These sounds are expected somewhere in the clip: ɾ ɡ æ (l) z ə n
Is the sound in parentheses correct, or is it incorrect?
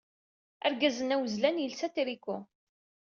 incorrect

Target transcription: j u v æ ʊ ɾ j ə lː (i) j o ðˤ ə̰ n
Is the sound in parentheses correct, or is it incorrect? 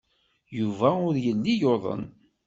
correct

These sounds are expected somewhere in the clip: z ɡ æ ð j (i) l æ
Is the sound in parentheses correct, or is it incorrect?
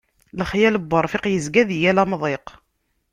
incorrect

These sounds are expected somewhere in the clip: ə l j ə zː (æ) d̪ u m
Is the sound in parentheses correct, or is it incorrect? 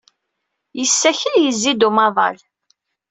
incorrect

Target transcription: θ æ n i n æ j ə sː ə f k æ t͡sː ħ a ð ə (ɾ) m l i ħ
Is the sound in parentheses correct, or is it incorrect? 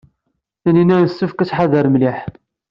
correct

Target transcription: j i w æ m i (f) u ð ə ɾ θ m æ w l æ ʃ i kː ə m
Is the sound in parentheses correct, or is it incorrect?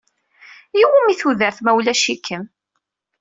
incorrect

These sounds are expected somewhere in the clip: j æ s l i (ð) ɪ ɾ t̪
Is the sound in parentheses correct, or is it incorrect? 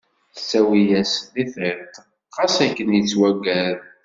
incorrect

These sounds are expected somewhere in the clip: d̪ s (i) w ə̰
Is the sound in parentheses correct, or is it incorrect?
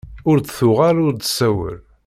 incorrect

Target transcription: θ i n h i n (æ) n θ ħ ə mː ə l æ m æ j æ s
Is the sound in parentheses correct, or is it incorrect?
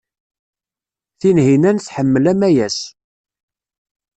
correct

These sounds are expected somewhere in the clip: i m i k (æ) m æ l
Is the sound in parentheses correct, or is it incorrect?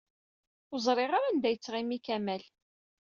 correct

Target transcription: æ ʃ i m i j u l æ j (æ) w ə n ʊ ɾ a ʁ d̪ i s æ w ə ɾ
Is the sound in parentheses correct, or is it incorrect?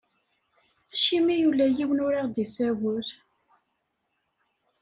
incorrect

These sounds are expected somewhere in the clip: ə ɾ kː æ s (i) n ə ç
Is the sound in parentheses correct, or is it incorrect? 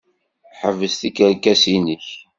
correct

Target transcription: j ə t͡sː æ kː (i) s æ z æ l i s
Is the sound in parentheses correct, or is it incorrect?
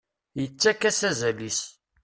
incorrect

